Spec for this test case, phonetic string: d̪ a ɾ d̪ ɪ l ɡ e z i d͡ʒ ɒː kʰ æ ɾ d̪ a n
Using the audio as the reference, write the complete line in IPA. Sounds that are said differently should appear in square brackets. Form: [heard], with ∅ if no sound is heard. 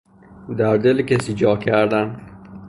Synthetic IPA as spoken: d̪ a ɾ d̪ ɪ l [k] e [s] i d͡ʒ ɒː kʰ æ ɾ d̪ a n

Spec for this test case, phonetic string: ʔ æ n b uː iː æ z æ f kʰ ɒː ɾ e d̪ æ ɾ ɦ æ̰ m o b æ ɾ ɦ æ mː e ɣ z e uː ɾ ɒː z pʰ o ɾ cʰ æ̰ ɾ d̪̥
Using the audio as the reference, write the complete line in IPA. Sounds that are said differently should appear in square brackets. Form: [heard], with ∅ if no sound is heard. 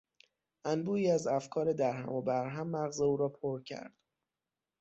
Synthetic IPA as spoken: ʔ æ n b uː iː æ z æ f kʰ ɒː ɾ e d̪ æ ɾ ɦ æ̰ m o b æ ɾ ɦ æ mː [æ] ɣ z e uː ɾ ɒː [∅] pʰ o ɾ cʰ æ̰ ɾ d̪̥

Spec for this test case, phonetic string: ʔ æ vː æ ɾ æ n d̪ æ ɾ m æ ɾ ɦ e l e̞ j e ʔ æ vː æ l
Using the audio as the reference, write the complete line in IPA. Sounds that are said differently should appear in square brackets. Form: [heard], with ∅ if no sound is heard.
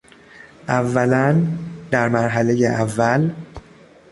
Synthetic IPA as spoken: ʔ æ vː æ [l] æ n d̪ æ ɾ m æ ɾ ɦ [æ] l e̞ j e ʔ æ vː æ l

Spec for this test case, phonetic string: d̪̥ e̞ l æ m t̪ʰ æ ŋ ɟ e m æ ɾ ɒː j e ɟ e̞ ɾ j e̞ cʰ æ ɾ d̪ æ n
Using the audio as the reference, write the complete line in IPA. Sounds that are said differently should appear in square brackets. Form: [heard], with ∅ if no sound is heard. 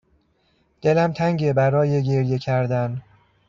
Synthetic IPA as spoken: d̪̥ e̞ l æ m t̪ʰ æ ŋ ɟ e [b] æ ɾ ɒː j e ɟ e̞ ɾ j e̞ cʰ æ ɾ d̪ æ n

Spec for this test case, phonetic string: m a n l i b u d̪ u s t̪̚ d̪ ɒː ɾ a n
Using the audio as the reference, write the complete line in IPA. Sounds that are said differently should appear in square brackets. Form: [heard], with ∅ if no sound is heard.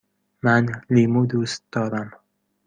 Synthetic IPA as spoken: m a n l i [m] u d̪ u s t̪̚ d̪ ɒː ɾ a [m]

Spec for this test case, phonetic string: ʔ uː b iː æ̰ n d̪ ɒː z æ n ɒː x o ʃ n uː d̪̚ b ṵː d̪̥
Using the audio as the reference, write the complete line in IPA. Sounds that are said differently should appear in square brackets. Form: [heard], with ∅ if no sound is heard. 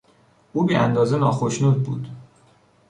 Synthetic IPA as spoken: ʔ uː b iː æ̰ n d̪ ɒː z [e] n ɒː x o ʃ n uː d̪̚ b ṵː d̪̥

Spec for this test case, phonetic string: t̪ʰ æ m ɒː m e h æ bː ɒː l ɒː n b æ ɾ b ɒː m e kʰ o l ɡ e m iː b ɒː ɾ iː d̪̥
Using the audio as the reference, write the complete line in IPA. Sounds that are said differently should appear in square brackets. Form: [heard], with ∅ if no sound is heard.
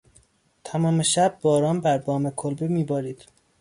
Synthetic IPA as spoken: t̪ʰ æ m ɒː m e [ʃ] æ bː ɒː [ɾ] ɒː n b æ ɾ b ɒː m e kʰ o l [b] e m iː b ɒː ɾ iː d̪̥

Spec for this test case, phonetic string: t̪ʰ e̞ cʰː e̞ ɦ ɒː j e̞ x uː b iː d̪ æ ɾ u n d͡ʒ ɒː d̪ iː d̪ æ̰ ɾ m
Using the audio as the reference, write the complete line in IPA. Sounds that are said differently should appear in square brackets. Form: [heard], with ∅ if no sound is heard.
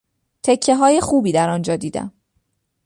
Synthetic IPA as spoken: t̪ʰ e̞ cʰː e̞ ɦ ɒː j e̞ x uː b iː d̪ æ ɾ [ɒ] n d͡ʒ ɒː d̪ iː d̪ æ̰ [∅] m

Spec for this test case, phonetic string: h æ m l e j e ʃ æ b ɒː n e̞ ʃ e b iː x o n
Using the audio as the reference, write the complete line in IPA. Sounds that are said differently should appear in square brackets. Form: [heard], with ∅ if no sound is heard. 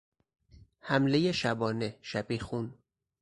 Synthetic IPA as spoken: h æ m l e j e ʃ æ b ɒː n e̞ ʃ [æ] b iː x [u] n

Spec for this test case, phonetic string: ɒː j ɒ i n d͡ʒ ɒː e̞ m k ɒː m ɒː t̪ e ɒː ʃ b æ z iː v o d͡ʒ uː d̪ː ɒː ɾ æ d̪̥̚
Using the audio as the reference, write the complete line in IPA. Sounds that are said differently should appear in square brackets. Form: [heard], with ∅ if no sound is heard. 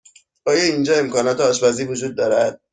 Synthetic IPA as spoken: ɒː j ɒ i n d͡ʒ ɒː e̞ m k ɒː [n] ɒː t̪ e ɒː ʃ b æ z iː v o d͡ʒ uː d̪ː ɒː ɾ æ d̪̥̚

